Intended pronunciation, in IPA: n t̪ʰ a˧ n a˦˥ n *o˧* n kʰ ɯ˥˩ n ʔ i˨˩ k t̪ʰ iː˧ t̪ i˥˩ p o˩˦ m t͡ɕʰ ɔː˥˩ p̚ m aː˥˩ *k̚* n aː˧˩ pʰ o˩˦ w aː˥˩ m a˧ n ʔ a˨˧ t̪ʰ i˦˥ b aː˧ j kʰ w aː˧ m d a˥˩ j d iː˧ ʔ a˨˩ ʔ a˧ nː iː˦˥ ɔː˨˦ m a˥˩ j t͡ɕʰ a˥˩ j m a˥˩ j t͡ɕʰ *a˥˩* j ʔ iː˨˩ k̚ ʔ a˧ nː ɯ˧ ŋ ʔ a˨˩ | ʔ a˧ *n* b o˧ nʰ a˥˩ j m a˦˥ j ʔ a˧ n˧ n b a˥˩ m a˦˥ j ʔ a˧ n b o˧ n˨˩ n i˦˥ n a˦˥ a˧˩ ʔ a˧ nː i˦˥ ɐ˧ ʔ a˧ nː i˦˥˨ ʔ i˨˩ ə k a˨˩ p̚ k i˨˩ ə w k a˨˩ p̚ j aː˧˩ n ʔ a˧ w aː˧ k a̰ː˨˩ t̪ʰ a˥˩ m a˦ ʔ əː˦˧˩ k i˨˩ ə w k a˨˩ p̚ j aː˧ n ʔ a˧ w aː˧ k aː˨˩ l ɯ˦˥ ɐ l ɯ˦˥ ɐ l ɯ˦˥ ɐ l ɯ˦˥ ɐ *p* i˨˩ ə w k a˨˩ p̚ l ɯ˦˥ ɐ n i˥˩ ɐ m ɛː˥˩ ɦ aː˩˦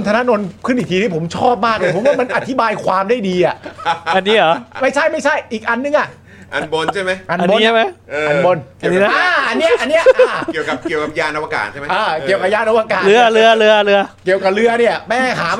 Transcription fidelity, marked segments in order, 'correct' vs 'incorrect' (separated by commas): correct, correct, correct, correct, incorrect